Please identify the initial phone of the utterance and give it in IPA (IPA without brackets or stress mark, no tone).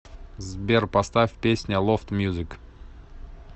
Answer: z